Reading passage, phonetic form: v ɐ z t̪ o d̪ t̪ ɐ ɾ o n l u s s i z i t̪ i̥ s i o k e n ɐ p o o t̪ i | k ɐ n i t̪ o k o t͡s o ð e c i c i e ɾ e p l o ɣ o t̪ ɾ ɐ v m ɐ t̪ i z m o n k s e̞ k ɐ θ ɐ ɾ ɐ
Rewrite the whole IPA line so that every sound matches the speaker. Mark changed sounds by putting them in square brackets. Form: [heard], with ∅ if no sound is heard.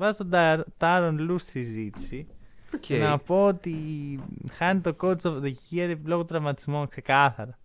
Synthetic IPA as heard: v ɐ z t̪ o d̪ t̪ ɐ ɾ o n l u s s i z i t̪ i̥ s i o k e n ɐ p o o t̪ i | [x] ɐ n i t̪ o k o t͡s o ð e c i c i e ɾ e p l o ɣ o t̪ ɾ ɐ v m ɐ t̪ i z m o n k s e̞ k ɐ θ ɐ ɾ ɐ